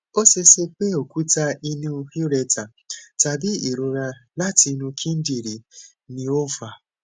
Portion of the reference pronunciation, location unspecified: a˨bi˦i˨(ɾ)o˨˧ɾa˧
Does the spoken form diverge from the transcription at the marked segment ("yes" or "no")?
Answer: no